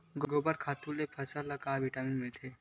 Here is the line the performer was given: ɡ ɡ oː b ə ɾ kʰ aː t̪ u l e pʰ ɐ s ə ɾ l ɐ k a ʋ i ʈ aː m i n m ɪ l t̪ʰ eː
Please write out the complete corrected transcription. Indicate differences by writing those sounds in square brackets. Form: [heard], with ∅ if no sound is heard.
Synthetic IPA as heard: ɡ ɡ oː b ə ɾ kʰ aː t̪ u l e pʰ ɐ s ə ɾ l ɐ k a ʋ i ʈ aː m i n m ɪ l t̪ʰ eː